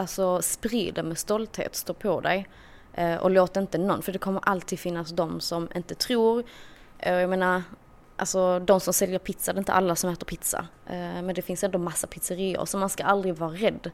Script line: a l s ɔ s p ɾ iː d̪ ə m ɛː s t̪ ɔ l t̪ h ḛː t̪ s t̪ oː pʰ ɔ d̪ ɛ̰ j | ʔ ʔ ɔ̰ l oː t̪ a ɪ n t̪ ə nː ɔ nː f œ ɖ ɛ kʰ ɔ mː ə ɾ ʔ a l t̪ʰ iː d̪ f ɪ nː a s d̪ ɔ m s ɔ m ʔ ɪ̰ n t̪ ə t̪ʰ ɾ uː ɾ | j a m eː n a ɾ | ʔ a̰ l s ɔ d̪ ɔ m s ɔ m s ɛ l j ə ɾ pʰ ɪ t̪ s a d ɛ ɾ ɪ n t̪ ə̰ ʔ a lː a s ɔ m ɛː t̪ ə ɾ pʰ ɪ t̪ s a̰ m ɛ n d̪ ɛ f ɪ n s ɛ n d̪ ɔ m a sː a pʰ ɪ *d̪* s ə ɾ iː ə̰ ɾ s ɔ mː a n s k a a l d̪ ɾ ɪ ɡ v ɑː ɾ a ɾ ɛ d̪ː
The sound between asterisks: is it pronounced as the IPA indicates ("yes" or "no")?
no